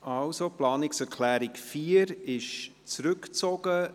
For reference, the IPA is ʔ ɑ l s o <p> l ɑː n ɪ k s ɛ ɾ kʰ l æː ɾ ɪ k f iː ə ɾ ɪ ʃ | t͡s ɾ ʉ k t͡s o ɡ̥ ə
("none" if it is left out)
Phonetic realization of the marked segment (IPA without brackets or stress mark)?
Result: p